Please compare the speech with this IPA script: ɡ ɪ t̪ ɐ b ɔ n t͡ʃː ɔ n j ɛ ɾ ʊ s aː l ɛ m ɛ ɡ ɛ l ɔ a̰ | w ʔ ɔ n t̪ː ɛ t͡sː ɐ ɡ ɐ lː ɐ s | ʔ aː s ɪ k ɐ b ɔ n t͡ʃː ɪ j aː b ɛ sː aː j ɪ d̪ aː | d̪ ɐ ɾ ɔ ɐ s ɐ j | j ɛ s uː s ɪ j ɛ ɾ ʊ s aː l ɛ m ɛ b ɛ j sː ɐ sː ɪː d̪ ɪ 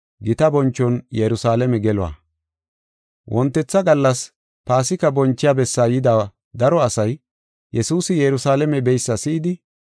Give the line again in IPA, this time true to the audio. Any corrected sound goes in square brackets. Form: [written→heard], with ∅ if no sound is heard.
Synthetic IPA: ɡ ɪ t̪ ɐ b ɔ n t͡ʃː ɔ n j ɛ ɾ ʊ s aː l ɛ m ɛ ɡ ɛ l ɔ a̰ | w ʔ ɔ n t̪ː ɛ t͡sː ɐ ɡ ɐ lː ɐ s | [ʔ→p] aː s ɪ k ɐ b ɔ n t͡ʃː ɪ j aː b ɛ sː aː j ɪ d̪ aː | d̪ ɐ ɾ ɔ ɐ s ɐ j | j ɛ s uː s ɪ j ɛ ɾ ʊ s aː l ɛ m ɛ b ɛ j sː ɐ [sː→s] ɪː d̪ ɪ

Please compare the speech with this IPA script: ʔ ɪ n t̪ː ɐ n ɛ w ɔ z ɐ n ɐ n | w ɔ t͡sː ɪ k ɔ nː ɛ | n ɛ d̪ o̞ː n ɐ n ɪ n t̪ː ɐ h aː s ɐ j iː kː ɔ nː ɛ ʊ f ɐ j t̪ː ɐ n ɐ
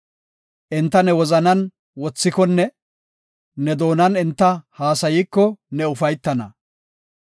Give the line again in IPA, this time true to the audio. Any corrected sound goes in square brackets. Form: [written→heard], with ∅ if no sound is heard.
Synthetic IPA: ʔ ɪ n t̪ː ɐ n ɛ w ɔ z ɐ n ɐ n | w ɔ t͡sː ɪ k ɔ nː ɛ | n ɛ d̪ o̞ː n ɐ n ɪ n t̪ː ɐ h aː s ɐ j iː kː ɔ [nː→n] ɛ ʊ f ɐ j t̪ː ɐ n ɐ

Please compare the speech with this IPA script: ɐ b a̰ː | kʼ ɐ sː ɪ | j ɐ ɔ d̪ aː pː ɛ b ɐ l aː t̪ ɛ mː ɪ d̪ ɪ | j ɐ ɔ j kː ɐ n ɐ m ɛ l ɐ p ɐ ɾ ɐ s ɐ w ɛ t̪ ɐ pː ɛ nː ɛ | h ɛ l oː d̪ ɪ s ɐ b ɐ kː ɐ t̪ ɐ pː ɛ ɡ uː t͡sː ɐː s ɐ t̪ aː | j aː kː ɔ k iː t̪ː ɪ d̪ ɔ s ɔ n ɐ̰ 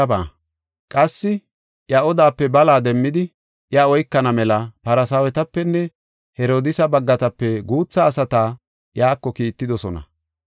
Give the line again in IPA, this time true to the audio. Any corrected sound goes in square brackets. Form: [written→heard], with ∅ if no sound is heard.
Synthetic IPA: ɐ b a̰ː | kʼ ɐ sː ɪ | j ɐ ɔ d̪ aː pː ɛ b ɐ l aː [t̪→d̪] ɛ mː ɪ d̪ ɪ | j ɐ ɔ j kː ɐ n ɐ m ɛ l ɐ p ɐ ɾ ɐ s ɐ w ɛ t̪ ɐ pː ɛ nː ɛ | h ɛ [l→ɾ] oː d̪ ɪ s ɐ b ɐ [kː→ɡː] ɐ t̪ ɐ pː ɛ ɡ uː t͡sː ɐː s ɐ t̪ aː | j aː kː ɔ k iː t̪ː ɪ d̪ ɔ s ɔ n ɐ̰

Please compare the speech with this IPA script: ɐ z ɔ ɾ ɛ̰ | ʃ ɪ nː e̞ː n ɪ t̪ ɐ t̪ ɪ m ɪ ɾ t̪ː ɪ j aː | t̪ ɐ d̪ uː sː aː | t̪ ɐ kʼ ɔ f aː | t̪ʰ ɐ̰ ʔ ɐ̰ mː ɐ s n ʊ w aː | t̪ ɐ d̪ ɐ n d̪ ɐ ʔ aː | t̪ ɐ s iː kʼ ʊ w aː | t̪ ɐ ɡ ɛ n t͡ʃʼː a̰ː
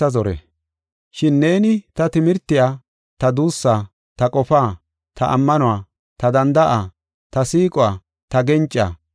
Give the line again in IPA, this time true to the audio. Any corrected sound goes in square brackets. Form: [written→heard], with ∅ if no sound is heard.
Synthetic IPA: ɐ z ɔ ɾ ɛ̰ | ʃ ɪ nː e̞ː n ɪ t̪ ɐ t̪ ɪ m ɪ ɾ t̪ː ɪ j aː | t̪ ɐ d̪ uː sː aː | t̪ ɐ kʼ ɔ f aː | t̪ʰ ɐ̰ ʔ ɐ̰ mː ɐ [s→∅] n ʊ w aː | t̪ ɐ d̪ ɐ n d̪ ɐ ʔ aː | t̪ ɐ s iː kʼ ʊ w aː | t̪ ɐ ɡ ɛ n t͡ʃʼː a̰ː

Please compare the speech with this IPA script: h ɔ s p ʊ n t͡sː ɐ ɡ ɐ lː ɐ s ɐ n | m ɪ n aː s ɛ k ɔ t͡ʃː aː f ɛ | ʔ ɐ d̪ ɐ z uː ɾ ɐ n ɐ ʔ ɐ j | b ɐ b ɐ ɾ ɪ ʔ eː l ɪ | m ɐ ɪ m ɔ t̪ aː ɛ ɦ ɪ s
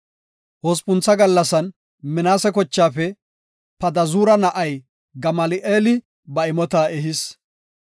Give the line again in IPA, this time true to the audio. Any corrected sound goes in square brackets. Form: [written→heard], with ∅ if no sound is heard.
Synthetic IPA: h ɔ s p ʊ n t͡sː ɐ ɡ ɐ lː ɐ s ɐ n | m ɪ n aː s ɛ k ɔ t͡ʃː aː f ɛ | [ʔ→p] ɐ d̪ ɐ z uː ɾ ɐ n ɐ ʔ ɐ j | [b→ɡ] ɐ [b→m] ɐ [ɾ→l] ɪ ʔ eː l ɪ | [m→b] ɐ ɪ m ɔ t̪ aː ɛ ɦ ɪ s

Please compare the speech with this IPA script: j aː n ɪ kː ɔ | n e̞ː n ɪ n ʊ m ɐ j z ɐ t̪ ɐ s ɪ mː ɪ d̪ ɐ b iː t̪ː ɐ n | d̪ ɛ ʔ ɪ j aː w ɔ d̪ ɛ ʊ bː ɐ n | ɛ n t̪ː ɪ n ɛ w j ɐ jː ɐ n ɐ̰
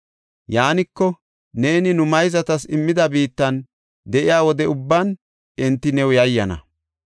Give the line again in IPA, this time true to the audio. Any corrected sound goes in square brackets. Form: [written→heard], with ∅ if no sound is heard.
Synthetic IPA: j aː n ɪ kː ɔ | n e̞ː n ɪ n ʊ m ɐ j z ɐ t̪ ɐ s ɪ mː ɪ d̪ ɐ b iː t̪ː ɐ n | d̪ ɛ ʔ ɪ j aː w ɔ d̪ ɛ ʊ bː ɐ n | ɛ n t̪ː ɪ n ɛ w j ɐ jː ɐ n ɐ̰

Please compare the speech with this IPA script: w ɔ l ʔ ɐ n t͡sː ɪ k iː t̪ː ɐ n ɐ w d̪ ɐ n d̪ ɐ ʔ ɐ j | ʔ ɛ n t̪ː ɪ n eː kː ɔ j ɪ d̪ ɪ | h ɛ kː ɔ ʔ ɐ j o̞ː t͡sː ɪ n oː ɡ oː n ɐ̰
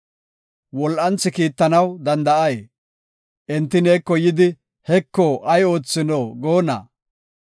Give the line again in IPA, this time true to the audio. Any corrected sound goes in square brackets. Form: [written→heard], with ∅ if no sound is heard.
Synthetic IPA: w ɔ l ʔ ɐ n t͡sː ɪ k iː t̪ː ɐ n ɐ w d̪ ɐ n d̪ ɐ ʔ ɐ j | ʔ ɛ n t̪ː ɪ n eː kː ɔ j ɪ d̪ ɪ | h ɛ kː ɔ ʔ ɐ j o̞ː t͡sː ɪ n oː ɡ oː n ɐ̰

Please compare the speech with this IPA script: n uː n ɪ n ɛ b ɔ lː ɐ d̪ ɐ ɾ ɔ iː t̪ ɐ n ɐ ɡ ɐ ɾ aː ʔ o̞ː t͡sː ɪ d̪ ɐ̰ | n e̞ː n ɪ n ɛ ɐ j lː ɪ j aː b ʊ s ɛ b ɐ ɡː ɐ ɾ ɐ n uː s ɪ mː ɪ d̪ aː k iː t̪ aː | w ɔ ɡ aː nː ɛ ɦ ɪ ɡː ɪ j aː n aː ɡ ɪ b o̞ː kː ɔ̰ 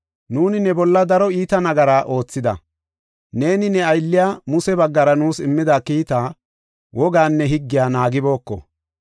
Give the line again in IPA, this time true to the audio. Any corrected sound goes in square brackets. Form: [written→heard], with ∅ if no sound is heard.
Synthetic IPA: n uː n ɪ n ɛ b ɔ lː ɐ d̪ ɐ ɾ ɔ iː t̪ ɐ n ɐ ɡ ɐ ɾ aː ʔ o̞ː t͡sː ɪ d̪ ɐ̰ | n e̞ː n ɪ n ɛ ɐ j lː ɪ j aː [b→m] ʊ s ɛ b ɐ ɡː ɐ ɾ ɐ n uː s ɪ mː ɪ d̪ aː k iː t̪ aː | w ɔ ɡ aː nː ɛ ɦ ɪ ɡː ɪ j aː n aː ɡ ɪ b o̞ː kː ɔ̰

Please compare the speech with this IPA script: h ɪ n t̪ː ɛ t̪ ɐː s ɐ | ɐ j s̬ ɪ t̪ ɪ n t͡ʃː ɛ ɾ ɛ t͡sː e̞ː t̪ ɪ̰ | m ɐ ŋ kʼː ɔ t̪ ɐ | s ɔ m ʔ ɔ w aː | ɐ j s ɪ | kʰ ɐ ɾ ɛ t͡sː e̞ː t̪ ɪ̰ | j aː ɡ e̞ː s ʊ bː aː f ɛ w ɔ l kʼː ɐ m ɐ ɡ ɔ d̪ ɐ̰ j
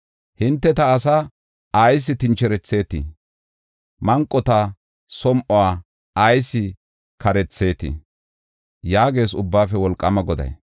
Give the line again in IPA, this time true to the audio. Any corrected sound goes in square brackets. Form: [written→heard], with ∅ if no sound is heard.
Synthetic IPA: h ɪ n t̪ː ɛ t̪ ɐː s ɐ | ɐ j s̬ ɪ t̪ ɪ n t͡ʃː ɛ ɾ ɛ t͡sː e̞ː t̪ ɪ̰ | m ɐ ŋ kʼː ɔ t̪ ɐ | s ɔ m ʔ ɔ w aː | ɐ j s ɪ | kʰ ɐ ɾ ɛ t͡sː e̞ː t̪ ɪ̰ | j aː ɡ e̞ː s ʊ bː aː f ɛ w ɔ l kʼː ɐ m ɐ ɡ ɔ d̪ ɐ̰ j

